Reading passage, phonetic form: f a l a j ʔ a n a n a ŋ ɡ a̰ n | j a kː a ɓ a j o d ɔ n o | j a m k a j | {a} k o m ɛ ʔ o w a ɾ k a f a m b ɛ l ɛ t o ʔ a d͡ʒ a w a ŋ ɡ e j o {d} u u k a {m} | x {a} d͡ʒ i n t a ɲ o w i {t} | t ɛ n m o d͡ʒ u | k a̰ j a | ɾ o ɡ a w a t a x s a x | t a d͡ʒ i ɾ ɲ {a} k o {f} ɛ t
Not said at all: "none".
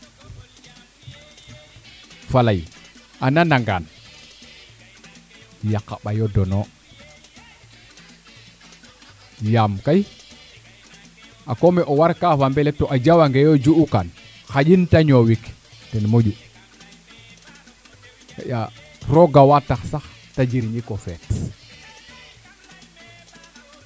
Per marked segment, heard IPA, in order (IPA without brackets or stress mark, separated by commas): a, d͡ʒ, n, a, k, i, f